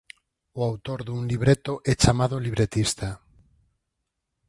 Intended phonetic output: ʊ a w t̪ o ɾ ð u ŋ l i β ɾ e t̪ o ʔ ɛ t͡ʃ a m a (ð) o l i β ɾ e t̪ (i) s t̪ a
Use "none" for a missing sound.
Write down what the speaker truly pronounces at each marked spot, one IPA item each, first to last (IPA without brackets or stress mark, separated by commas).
ð, i